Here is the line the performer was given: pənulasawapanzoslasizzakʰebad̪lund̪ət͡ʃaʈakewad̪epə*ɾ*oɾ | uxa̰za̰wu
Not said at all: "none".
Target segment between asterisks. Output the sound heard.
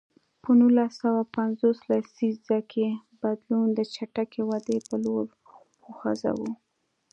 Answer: l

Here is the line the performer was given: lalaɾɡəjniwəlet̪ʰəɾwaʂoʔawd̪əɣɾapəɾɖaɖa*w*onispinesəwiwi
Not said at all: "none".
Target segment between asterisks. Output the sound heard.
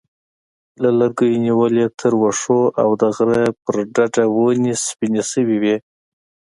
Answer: w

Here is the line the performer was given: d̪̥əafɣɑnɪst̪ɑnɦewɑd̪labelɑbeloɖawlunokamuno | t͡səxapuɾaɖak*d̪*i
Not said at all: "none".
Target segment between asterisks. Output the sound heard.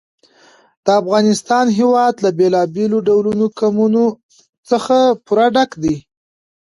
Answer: d̪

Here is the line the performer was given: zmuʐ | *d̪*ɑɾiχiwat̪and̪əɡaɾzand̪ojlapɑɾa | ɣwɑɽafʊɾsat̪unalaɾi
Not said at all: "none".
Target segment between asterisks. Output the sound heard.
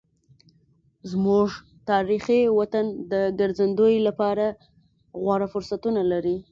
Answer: t̪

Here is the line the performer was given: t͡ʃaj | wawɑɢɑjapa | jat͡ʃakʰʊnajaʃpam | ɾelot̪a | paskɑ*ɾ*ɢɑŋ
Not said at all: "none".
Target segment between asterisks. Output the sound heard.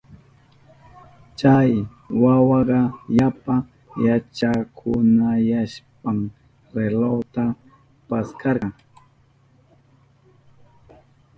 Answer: ɾ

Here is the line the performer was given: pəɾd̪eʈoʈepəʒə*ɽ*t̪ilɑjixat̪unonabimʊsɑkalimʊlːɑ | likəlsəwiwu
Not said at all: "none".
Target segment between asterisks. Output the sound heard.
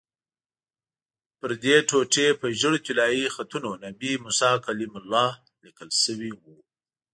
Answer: ɽ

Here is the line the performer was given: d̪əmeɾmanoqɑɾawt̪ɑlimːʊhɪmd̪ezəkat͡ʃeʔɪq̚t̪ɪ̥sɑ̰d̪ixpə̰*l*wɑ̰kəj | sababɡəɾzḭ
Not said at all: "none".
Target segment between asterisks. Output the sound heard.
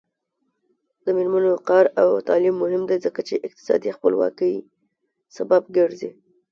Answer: l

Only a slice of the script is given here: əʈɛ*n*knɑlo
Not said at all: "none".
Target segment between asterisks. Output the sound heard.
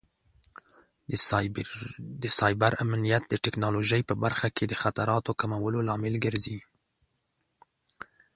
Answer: none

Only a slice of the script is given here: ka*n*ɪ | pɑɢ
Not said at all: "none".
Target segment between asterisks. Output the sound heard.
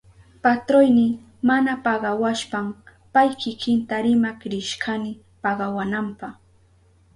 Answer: n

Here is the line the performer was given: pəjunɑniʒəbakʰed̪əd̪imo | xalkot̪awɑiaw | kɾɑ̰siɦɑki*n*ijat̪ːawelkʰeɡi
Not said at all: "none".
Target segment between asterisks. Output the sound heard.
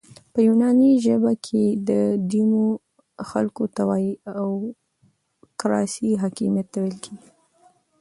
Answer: m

